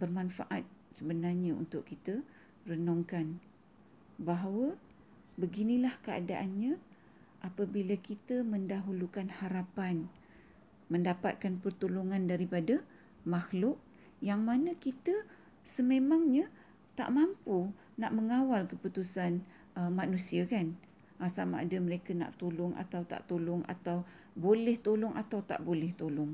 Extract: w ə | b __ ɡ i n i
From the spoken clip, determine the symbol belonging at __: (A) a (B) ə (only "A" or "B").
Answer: B